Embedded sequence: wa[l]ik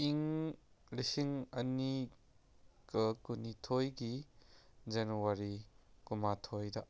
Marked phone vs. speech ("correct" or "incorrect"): incorrect